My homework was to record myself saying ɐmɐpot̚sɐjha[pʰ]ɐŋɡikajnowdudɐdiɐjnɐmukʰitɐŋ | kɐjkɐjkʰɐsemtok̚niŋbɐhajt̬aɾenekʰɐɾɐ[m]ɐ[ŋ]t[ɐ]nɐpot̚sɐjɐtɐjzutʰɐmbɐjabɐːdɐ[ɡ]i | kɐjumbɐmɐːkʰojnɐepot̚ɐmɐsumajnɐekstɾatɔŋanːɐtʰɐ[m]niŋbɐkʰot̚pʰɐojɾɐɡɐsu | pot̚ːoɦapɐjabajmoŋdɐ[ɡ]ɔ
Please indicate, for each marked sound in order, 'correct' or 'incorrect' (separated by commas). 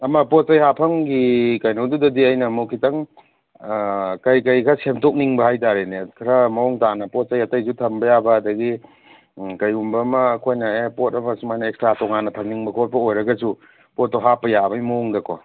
correct, correct, correct, incorrect, correct, correct, incorrect